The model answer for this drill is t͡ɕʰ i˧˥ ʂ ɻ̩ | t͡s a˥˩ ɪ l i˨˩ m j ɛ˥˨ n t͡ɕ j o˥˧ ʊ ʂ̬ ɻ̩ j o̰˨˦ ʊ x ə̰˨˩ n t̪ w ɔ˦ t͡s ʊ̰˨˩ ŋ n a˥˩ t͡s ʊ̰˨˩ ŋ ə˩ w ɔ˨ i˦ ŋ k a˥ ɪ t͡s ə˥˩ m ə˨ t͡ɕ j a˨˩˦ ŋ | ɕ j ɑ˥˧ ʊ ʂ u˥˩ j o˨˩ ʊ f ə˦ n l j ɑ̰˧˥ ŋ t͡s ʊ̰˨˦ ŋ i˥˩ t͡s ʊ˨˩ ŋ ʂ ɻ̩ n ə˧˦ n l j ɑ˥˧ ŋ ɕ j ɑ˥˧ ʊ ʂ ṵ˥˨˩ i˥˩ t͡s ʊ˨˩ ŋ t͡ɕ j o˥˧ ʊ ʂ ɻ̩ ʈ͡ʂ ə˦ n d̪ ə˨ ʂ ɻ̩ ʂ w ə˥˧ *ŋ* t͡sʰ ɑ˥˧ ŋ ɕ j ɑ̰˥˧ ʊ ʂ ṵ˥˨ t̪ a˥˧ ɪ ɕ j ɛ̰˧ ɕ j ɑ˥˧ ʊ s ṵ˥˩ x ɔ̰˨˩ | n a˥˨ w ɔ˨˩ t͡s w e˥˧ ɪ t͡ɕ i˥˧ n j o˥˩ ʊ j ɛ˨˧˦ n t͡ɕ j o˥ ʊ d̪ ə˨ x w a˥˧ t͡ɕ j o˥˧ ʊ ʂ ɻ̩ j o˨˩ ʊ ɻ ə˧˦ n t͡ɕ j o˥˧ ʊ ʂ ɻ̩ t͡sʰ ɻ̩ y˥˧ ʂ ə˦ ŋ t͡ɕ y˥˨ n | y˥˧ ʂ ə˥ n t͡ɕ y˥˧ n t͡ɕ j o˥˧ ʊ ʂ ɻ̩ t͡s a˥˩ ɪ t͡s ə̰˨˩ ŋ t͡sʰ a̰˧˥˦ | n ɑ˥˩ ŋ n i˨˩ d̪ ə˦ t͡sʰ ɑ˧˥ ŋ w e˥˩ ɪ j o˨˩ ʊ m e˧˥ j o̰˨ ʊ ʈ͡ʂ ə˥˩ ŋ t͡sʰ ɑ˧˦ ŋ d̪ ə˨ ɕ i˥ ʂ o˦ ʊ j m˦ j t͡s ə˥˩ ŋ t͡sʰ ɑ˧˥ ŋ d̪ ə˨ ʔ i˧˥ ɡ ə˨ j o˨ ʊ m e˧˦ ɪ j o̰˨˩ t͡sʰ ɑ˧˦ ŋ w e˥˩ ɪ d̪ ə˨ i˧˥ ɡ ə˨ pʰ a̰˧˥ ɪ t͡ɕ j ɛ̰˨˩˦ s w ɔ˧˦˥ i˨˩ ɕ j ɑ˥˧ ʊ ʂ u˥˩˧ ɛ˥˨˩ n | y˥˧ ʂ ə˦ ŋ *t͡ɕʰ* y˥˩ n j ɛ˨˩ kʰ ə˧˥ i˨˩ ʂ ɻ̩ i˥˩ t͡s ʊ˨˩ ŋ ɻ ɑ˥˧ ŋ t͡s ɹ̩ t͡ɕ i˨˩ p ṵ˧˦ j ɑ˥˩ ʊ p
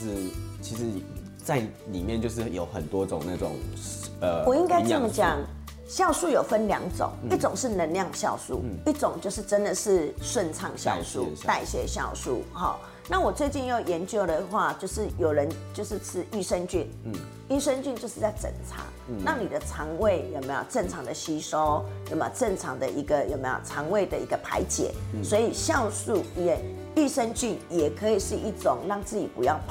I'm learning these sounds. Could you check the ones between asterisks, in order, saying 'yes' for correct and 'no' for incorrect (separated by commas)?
no, no